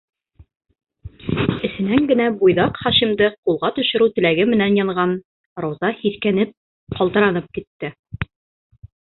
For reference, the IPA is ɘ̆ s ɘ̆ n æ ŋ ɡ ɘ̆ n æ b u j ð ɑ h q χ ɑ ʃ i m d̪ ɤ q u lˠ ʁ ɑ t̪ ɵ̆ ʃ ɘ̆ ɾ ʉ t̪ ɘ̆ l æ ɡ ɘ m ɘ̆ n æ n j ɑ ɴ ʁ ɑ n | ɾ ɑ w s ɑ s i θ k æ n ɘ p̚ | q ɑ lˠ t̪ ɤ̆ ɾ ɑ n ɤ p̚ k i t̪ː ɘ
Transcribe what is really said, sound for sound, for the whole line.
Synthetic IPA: ɘ̆ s ɘ̆ n æ ŋ ɡ ɘ̆ n æ b u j ð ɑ q χ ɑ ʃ i m d̪ ɤ q u lˠ ʁ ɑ t̪ ɵ̆ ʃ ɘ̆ ɾ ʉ t̪ ɘ̆ l æ ɡ ɘ m ɘ̆ n æ n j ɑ ɴ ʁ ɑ n | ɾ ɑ w z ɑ h i θ k æ n ɘ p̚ | q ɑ lˠ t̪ ɤ̆ ɾ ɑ n ɤ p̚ k i t̪ː ɘ